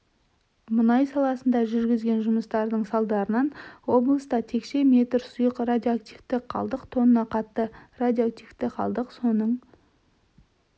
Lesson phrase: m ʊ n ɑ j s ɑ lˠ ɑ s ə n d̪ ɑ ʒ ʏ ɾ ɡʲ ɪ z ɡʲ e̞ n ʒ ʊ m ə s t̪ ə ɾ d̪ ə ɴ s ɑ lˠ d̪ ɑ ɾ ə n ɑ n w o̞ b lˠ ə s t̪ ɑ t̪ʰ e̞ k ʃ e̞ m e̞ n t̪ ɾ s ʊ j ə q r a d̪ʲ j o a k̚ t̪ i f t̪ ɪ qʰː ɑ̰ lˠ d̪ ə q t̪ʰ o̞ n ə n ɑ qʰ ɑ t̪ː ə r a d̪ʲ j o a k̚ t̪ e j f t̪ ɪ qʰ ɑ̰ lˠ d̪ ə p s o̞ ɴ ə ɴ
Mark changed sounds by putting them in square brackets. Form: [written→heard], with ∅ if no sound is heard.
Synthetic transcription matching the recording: m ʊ n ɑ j s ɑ lˠ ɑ s ə n d̪ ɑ ʒ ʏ ɾ ɡʲ ɪ z ɡʲ e̞ n ʒ ʊ m ə s t̪ [ə→ɑ] ɾ d̪ ə ɴ s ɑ lˠ d̪ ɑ ɾ ə n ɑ n w o̞ b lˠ ə s t̪ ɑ t̪ʰ e̞ k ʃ e̞ m e̞ [n→∅] t̪ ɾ s ʊ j ə q r a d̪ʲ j o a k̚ t̪ i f t̪ ɪ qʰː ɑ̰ lˠ d̪ ə q t̪ʰ o̞ n ə n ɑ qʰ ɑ t̪ː ə r a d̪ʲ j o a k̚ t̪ [e→i] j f t̪ ɪ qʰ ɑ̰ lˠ d̪ ə [p→q] s o̞ [ɴ→n] ə ɴ